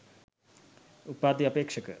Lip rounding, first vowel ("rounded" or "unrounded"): rounded